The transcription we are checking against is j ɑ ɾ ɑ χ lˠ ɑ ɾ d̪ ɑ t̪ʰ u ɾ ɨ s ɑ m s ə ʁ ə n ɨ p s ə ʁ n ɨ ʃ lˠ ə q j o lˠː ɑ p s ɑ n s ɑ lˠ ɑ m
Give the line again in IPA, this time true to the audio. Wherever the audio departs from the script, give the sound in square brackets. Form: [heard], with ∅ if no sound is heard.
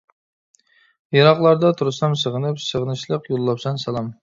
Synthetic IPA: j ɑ ɾ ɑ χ lˠ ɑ ɾ d̪ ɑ t̪ʰ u ɾ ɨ s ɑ m s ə ʁ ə n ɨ p s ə ʁ n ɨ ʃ lˠ ə q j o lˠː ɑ p s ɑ n s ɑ lˠ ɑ m